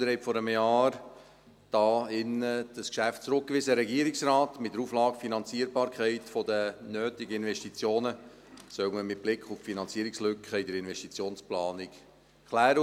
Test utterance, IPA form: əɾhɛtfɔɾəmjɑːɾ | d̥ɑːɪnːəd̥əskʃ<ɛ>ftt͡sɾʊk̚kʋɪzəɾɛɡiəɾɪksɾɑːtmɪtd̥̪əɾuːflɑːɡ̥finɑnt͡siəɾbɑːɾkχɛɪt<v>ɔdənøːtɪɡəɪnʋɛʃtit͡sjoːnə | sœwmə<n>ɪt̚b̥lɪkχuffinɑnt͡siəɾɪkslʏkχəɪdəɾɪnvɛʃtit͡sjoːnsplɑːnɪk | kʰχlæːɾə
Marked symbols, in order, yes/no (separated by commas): no, no, no